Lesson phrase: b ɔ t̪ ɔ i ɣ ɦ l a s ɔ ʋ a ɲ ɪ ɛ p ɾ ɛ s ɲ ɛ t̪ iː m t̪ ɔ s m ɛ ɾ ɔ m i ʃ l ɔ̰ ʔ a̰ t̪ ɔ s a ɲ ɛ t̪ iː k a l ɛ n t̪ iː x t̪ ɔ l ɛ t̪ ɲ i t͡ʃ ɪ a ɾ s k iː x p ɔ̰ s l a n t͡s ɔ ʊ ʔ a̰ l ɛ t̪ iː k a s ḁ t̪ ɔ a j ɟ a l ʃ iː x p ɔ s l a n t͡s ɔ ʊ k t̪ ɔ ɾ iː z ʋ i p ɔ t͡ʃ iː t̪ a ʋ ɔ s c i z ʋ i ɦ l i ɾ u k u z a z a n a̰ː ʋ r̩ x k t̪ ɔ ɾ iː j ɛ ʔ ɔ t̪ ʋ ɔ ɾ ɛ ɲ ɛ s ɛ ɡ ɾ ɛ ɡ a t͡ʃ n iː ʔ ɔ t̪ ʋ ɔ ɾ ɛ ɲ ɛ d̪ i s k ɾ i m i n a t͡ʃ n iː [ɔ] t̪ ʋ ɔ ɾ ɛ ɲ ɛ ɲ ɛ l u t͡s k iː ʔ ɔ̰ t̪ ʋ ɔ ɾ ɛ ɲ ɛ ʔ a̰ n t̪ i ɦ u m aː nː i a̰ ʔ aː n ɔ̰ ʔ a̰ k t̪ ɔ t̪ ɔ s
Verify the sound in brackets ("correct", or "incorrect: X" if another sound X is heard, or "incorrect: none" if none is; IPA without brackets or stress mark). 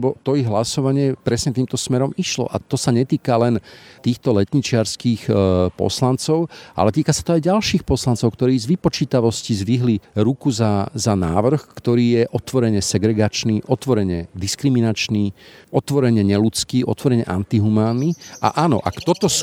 correct